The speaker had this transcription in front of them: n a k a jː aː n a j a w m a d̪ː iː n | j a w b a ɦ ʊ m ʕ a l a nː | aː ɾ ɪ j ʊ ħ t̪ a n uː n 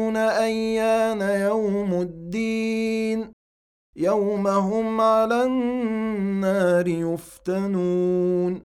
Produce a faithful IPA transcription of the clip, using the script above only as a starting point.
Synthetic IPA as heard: n a ʔ a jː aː n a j a w m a d̪ː iː n | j a w m a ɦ ʊ m ʕ a l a nː | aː ɾ ɪ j ʊ f t̪ a n uː n